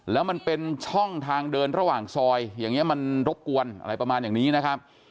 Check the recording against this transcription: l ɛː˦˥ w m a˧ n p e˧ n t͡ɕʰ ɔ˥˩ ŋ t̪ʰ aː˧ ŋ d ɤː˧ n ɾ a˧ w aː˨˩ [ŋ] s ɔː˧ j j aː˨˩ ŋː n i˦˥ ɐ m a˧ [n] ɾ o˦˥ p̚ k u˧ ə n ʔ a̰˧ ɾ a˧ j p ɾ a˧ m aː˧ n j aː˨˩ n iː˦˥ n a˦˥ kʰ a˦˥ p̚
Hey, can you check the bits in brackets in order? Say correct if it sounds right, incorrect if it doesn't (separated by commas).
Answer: correct, correct